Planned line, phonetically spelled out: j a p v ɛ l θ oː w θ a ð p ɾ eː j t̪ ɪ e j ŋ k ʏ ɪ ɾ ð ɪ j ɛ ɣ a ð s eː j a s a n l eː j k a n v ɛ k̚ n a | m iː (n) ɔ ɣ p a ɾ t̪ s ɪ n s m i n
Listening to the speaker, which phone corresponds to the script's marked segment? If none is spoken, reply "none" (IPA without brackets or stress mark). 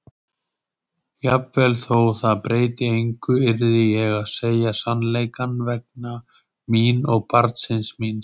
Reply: n